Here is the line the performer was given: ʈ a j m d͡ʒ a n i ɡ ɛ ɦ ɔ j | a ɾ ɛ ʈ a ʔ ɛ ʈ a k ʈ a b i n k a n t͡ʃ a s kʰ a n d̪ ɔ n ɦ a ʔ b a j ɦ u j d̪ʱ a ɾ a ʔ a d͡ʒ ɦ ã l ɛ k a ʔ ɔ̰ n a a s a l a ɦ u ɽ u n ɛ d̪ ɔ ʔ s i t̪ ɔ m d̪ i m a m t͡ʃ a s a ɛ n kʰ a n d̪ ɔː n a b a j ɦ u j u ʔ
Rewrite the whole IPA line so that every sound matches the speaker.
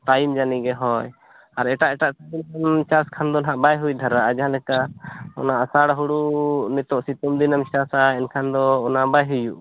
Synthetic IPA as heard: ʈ a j m d͡ʒ a n i ɡ ɛ ɦ ɔ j | a ɾ ɛ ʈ a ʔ ɛ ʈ a ʔ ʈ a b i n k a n t͡ʃ a s kʰ a n d̪ ɔ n ɦ a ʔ b a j ɦ u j d̪ʱ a ɾ a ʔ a d͡ʒ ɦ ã l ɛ k a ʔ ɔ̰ n a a s a ɽ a ɦ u ɽ u n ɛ t̪ ɔ ʔ s i t̪ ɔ m d̪ i n a m t͡ʃ a s a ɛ n kʰ a n d̪ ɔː n a b a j ɦ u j u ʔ